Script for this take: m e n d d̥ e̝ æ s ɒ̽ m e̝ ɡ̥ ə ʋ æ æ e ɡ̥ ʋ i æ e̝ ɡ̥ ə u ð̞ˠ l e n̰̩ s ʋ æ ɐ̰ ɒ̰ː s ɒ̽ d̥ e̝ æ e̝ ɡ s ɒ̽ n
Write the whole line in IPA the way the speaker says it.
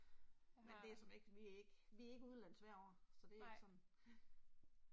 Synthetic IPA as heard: m e n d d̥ e̝ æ s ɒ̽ m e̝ ɡ̥ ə ʋ i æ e ɡ̥ ʋ i æ e̝ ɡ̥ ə u ð̞ˠ l æ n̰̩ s ʋ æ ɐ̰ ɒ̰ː s ɒ̽ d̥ e̝ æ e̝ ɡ s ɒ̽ n

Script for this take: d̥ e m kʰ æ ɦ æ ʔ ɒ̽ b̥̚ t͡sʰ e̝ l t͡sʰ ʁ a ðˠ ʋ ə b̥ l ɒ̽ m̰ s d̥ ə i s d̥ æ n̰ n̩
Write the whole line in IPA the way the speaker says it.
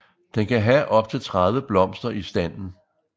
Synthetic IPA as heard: d̥ e n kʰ æ ɦ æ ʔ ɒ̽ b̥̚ t͡sʰ e̝ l t͡sʰ ʁ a ðˠ ʋ ə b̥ l ɒ̽ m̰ s d̥ ɐ i s d̥ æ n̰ n̩

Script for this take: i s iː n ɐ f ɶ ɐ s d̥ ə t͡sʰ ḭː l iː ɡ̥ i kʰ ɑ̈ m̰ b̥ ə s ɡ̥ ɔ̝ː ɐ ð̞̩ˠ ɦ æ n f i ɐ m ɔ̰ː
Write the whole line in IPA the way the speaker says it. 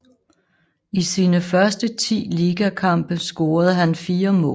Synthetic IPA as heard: i s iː n ə f ɶ ɐ s d̥ ə t͡sʰ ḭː l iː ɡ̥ æ kʰ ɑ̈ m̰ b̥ ə s ɡ̥ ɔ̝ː ɐ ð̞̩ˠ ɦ æ n f iː ɐ m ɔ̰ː

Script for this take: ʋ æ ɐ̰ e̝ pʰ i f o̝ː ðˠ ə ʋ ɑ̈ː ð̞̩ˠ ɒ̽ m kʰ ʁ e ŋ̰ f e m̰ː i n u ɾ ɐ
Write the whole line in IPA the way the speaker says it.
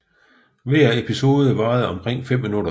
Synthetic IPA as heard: ʋ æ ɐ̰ e̝ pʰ i s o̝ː ðˠ ə ʋ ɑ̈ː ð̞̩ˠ ɒ̽ m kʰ ʁ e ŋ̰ f e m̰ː i n u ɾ ɐ

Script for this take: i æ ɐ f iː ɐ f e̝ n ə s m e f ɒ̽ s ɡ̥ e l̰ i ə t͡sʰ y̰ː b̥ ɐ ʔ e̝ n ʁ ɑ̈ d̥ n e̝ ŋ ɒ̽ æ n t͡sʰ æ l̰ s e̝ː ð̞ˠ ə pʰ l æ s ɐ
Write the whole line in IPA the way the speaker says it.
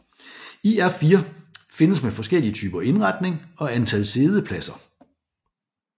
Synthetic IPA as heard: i æ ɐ f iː ɐ f e̝ n ə s m e f ɒ̽ s ɡ̥ e l̰ i ə t͡sʰ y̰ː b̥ ɐ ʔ e̝ n ʁ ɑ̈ d̥ n e̝ ŋ ɒ̽ æ n t͡sʰ æ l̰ s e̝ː ð̞ˠ ə pʰ l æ s ɐ

